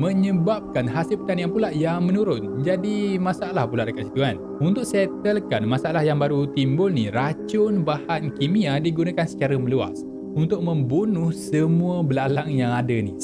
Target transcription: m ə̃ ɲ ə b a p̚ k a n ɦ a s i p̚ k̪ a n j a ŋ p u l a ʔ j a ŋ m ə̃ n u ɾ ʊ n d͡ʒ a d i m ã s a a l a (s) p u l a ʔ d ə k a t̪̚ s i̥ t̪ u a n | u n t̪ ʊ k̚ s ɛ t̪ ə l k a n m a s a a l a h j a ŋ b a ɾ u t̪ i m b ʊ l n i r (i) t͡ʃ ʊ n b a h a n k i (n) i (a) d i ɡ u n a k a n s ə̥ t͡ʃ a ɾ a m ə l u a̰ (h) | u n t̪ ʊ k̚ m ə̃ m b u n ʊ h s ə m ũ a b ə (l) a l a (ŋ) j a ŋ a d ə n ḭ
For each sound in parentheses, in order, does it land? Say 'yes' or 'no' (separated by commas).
no, no, no, yes, no, yes, yes